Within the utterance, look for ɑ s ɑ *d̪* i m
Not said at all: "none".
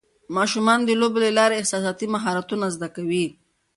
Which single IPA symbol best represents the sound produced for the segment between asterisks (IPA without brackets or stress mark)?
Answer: t̪